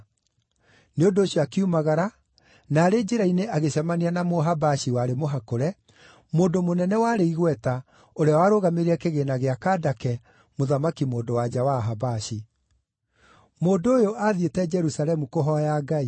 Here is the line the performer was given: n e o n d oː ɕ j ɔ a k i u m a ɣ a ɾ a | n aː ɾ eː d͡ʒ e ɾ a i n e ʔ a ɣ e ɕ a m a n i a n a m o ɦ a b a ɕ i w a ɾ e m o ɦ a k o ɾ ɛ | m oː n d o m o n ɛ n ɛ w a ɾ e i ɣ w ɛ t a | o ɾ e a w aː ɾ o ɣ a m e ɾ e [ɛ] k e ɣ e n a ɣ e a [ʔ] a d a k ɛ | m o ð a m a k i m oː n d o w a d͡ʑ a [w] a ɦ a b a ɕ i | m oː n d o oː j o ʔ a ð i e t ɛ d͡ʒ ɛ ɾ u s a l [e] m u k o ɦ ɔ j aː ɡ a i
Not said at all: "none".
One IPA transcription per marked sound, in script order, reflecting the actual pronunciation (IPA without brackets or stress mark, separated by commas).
ɛ, k, w, ɛ